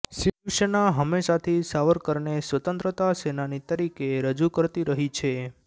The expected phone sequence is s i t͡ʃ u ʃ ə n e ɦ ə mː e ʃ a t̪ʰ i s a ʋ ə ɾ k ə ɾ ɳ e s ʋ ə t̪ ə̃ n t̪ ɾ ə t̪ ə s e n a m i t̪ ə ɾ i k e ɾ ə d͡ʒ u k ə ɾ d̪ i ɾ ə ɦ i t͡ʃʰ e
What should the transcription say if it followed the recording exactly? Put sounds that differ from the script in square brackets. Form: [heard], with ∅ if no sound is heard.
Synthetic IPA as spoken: s i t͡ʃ u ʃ ə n [a] ɦ ə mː e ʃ a t̪ʰ i s a ʋ ə ɾ k ə ɾ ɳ e s ʋ ə t̪ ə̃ n t̪ ɾ ə t̪ [a] s e n a [n] i t̪ ə ɾ i k e ɾ ə d͡ʒ u k ə ɾ [t̪] i ɾ ə ɦ i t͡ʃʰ e